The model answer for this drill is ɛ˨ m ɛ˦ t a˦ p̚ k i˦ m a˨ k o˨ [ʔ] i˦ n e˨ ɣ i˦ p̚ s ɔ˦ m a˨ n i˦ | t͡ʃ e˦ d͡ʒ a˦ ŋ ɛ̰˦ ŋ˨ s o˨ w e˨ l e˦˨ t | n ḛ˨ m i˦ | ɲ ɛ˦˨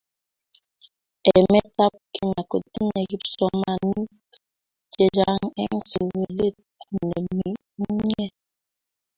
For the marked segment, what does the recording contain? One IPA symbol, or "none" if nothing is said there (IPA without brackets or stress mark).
t